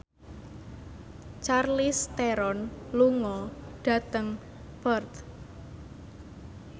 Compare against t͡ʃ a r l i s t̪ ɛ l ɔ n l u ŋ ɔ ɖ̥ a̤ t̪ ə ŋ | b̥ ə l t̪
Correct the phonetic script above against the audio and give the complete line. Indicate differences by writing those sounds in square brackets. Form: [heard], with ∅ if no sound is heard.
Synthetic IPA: t͡ʃ a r l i s t̪ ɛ [ɾ] ɔ n l u ŋ ɔ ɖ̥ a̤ t̪ ə ŋ | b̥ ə [r] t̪